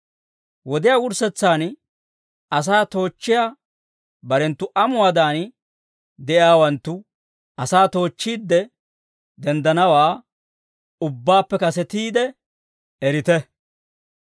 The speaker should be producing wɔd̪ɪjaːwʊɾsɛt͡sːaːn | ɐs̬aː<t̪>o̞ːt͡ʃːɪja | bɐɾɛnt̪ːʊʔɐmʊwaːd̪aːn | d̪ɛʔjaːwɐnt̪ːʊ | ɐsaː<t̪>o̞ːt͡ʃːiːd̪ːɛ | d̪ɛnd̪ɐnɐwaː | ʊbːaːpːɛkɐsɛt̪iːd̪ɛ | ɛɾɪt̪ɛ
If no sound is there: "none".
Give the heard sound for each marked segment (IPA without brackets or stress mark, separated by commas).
t̪, t̪